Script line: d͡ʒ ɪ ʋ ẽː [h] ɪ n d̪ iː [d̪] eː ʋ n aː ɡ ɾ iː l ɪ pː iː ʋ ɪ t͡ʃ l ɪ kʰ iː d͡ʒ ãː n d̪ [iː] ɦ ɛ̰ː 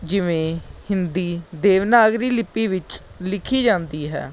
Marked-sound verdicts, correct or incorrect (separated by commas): correct, correct, correct